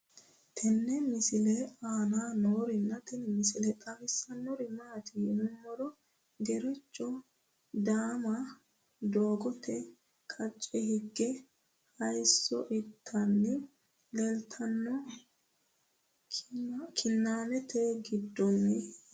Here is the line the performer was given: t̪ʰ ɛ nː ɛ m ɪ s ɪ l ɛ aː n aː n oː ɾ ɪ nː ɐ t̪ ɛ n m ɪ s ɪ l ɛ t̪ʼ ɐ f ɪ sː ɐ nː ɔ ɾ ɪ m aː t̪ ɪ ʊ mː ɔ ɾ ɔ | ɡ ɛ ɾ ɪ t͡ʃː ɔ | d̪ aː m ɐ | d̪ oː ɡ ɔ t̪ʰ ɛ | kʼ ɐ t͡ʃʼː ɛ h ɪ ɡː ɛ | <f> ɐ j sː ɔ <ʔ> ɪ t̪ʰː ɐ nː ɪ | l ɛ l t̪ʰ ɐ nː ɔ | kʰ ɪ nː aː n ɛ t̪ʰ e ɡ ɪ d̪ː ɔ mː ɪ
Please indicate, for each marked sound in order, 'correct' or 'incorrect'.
incorrect: h, correct

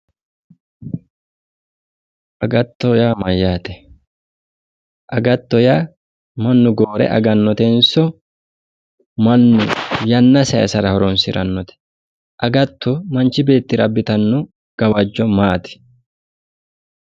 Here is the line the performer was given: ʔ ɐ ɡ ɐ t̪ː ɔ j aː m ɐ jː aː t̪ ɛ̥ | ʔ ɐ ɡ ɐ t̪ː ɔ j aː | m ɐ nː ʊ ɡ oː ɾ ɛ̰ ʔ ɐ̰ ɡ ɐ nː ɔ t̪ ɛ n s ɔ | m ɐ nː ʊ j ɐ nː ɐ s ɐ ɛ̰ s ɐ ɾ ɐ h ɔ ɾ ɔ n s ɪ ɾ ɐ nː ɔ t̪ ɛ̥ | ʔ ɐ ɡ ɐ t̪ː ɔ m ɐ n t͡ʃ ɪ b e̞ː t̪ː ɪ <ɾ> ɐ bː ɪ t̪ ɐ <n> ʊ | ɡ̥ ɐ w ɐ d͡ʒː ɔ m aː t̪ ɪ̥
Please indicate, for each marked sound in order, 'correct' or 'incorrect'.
correct, incorrect: nː

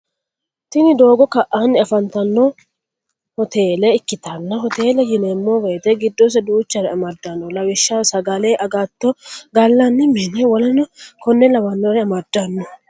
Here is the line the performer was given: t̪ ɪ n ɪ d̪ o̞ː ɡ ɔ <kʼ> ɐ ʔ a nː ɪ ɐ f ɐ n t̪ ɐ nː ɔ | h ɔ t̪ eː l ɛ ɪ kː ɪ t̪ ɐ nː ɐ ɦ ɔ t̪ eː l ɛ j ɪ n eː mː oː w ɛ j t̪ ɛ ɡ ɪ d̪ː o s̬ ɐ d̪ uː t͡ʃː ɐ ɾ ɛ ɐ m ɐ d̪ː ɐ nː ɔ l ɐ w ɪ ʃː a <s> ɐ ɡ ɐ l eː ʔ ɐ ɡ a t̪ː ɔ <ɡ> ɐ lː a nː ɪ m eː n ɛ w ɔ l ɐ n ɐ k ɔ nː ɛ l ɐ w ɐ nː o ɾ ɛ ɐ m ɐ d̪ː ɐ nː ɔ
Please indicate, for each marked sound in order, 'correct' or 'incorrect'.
incorrect: k, correct, correct

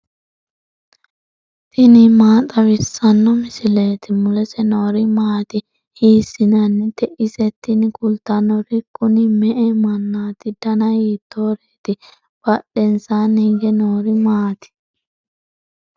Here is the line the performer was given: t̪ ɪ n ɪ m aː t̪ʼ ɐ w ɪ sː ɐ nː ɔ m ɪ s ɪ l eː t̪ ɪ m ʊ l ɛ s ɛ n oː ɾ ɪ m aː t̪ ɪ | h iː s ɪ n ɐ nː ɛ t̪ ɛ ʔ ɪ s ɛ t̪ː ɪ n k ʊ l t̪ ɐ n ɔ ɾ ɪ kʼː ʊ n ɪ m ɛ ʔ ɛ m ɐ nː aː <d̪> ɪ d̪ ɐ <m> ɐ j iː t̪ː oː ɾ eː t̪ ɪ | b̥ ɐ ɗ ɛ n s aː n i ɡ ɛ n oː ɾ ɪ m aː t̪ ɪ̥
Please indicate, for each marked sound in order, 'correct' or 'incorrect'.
incorrect: t̪, incorrect: n

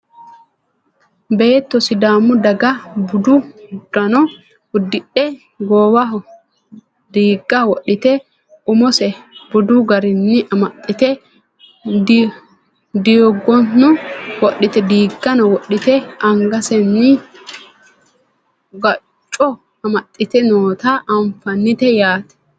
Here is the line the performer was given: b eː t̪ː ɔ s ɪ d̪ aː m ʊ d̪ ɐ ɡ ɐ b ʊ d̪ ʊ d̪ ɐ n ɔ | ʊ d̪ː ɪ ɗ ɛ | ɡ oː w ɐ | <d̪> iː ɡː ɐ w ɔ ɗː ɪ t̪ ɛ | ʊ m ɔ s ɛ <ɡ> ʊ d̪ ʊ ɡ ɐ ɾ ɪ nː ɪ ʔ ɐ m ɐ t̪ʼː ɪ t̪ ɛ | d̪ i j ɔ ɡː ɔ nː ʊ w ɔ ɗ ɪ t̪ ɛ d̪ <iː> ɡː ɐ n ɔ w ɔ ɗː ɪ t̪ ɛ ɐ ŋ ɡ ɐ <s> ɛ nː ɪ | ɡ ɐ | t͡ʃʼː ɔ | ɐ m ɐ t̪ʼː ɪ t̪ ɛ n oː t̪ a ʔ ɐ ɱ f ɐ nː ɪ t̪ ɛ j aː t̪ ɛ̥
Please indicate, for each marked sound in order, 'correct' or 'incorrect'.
correct, incorrect: b, correct, correct

